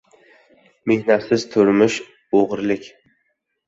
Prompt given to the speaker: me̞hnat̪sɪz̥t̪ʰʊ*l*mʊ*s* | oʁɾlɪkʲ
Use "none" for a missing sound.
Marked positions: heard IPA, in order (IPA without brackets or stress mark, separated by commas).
ɾ, ʃ